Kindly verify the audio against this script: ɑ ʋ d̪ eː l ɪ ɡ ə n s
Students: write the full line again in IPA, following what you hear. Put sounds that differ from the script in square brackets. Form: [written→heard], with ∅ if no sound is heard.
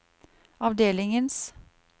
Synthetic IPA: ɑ ʋ d̪ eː l ɪ [ɡ→ŋ] ə n s